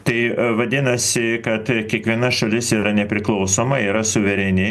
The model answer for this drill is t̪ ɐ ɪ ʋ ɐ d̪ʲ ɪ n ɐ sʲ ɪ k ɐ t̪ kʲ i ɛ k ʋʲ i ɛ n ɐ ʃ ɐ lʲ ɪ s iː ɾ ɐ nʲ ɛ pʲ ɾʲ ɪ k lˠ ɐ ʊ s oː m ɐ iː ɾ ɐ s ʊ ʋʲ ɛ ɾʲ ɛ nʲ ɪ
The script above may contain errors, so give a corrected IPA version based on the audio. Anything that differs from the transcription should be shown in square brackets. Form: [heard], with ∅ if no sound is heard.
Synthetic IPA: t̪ ɐ ɪ ʋ ɐ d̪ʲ ɪ n ɐ sʲ ɪ k ɐ t̪ kʲ i ɛ k ʋʲ i ɛ n ɐ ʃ ɐ lʲ ɪ s iː ɾ ɐ nʲ ɛ pʲ ɾʲ ɪ k lˠ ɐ ʊ s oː m ɐ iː ɾ ɐ s ʊ ʋʲ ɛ ɾʲ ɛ nʲ ɪ